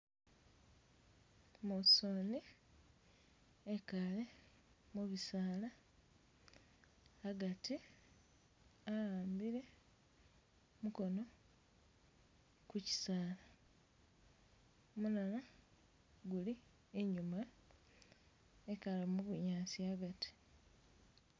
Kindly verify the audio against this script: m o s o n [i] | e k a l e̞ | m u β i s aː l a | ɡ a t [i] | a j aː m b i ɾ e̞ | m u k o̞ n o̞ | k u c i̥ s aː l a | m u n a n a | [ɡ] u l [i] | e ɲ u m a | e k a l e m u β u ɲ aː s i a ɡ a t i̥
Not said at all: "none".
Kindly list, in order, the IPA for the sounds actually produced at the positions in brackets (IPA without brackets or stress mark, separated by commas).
i, i, ɡ, i